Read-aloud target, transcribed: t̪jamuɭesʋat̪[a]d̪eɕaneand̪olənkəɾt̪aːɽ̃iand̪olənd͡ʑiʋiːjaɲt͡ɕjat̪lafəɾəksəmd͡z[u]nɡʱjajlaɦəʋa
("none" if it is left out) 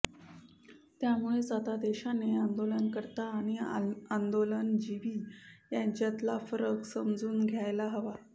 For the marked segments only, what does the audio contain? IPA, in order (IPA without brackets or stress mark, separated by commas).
a, uː